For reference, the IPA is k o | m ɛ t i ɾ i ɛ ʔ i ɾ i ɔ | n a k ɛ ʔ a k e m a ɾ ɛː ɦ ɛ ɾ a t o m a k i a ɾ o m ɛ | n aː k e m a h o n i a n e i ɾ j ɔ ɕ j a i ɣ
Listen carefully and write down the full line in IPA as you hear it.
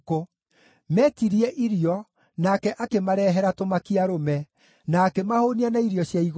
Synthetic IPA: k o | m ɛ t i ɾ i ɛ ʔ i ɾ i ɔ | n a k ɛ ʔ a k e m a ɾ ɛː ɦ ɛ ɾ a t o m a k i a ɾ o m ɛ | n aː k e m a h o n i a n a i ɾ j ɔ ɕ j a i ɣ